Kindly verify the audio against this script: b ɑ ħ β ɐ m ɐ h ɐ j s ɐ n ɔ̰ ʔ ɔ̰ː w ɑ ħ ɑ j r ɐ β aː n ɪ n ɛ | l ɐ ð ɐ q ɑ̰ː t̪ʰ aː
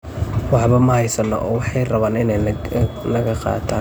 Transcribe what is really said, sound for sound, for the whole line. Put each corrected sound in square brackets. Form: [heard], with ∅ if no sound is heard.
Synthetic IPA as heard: [w] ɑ ħ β ɐ m ɐ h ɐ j s ɐ n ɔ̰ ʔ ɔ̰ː w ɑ ħ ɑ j r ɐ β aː n ɪ n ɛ | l ɐ [ɣ] ɐ q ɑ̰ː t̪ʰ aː